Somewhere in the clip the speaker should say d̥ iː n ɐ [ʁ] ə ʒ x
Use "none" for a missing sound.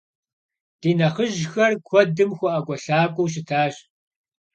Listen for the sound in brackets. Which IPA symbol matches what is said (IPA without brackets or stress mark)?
χ